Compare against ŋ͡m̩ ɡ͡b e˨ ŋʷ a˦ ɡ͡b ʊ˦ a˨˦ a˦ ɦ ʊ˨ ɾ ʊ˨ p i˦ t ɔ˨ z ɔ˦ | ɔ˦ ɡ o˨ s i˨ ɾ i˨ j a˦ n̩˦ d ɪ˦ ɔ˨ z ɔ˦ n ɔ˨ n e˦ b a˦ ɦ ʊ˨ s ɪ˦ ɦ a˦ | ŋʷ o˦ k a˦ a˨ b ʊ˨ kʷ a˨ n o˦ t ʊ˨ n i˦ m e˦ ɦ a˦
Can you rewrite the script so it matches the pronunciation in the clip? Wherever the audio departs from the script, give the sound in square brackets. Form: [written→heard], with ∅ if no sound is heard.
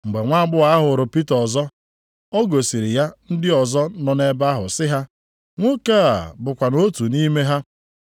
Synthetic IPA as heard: ŋ͡m̩ ɡ͡b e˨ ŋʷ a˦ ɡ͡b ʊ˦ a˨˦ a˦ ɦ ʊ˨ ɾ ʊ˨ p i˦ t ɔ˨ z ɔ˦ | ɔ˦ ɡ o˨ s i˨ ɾ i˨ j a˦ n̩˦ d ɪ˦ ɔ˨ z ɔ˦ n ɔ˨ n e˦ b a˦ ɦ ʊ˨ s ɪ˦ ɦ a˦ | ŋʷ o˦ k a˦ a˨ b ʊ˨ kʷ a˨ n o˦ t [ʊ˨→u˨] n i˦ m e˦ ɦ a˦